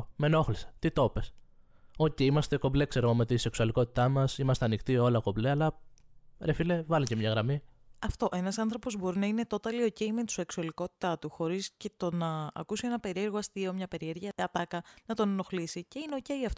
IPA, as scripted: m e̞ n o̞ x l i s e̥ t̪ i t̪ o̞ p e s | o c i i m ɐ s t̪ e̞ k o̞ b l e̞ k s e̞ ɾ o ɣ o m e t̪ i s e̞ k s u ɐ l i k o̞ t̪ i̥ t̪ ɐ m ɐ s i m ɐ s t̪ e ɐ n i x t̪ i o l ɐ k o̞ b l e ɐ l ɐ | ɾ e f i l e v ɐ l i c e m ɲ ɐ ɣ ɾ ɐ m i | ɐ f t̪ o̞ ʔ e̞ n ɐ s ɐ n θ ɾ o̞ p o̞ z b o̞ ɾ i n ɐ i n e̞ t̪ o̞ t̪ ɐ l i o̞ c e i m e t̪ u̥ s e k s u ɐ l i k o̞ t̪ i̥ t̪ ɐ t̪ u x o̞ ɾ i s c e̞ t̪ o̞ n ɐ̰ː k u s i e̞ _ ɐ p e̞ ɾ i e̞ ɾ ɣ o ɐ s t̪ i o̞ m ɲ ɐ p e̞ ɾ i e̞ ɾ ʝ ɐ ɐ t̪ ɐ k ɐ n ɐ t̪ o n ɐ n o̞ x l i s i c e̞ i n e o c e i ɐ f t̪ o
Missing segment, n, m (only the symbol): n